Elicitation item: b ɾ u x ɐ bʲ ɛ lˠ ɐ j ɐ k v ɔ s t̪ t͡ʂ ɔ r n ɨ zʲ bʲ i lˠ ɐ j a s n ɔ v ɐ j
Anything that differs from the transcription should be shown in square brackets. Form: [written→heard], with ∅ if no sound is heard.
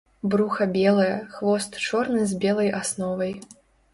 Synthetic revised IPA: b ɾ u x ɐ bʲ ɛ lˠ ɐ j ɐ [k→x] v ɔ s t̪ t͡ʂ ɔ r n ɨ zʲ bʲ [i→ɛ] lˠ ɐ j a s n ɔ v ɐ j